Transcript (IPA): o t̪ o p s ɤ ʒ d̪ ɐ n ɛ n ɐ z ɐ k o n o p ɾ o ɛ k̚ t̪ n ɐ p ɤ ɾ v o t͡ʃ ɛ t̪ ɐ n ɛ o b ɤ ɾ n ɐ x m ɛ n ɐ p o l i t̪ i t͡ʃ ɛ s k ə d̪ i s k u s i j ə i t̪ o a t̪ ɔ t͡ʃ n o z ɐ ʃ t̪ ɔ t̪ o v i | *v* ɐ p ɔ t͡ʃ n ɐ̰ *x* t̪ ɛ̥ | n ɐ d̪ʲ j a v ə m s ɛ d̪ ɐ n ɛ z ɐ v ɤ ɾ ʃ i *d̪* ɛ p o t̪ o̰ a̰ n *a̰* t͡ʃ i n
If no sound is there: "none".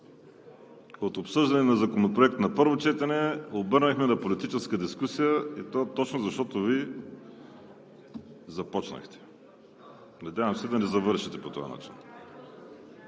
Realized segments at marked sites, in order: z, x, t̪, a̰

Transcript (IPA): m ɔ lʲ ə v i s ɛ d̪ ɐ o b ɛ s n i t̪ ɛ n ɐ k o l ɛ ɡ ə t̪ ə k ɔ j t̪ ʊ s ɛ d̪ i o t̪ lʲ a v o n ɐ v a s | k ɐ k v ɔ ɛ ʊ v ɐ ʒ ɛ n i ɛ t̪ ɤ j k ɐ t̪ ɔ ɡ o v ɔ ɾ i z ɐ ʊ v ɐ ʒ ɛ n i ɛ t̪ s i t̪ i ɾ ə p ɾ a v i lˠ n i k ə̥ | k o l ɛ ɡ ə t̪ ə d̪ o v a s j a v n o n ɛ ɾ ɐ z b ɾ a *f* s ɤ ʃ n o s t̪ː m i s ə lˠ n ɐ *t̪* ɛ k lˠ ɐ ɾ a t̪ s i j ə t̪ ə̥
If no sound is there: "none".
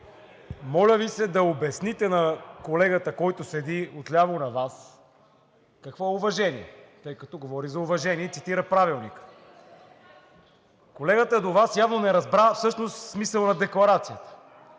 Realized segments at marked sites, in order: f, d̪

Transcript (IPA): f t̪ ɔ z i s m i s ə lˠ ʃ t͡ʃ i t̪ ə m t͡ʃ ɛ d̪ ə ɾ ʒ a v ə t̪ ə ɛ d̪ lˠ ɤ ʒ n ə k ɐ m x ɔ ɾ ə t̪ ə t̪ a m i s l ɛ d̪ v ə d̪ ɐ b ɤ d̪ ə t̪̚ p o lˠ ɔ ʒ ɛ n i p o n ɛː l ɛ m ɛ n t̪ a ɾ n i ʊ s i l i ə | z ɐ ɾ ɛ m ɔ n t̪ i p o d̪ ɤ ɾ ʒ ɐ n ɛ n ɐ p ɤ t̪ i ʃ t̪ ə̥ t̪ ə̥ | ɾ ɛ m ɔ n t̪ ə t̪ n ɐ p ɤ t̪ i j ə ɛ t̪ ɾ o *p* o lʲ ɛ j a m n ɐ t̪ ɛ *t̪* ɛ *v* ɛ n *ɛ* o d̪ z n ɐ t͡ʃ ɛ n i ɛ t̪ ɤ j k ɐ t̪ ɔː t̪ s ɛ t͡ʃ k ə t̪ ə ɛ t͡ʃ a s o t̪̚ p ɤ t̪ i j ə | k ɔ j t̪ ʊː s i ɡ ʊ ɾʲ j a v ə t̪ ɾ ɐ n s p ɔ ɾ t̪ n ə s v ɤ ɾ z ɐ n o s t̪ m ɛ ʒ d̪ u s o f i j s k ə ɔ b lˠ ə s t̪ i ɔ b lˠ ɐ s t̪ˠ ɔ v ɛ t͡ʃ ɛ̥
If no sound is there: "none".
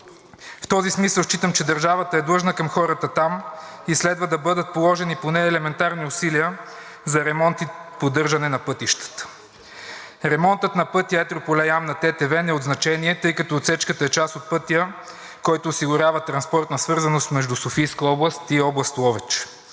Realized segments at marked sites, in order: p, t̪, v, ɛ

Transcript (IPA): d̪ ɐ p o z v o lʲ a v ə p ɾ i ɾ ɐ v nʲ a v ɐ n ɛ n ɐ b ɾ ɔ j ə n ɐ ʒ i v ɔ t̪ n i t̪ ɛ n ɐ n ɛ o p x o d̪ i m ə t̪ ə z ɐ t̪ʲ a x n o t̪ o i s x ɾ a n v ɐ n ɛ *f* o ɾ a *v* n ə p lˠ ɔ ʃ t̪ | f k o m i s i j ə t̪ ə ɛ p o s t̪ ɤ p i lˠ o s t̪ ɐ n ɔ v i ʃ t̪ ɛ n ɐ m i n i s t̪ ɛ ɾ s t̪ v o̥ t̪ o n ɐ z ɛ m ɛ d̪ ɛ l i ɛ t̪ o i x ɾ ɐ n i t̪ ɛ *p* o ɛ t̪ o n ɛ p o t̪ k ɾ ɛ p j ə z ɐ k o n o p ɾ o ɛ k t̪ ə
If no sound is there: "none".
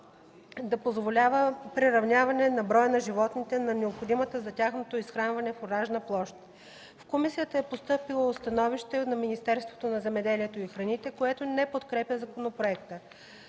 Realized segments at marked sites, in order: f, ʒ, k

